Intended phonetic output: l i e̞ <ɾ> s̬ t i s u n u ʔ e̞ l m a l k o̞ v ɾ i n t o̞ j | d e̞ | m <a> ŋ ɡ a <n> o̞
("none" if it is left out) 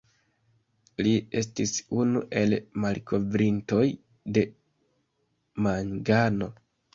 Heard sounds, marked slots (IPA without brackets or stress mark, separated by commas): none, a, n